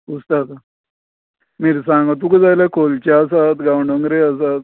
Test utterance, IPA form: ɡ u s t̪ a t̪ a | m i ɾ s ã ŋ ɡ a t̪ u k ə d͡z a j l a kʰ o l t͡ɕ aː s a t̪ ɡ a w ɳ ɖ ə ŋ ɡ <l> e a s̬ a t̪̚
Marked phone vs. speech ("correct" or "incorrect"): incorrect